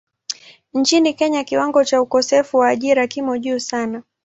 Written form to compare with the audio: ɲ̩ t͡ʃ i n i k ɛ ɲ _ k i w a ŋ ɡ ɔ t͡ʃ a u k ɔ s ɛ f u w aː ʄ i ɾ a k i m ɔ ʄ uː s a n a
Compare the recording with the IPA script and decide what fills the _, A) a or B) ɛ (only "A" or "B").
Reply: A